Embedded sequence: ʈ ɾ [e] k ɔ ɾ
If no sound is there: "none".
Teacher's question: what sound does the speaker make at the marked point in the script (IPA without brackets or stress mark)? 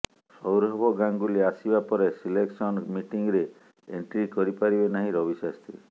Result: i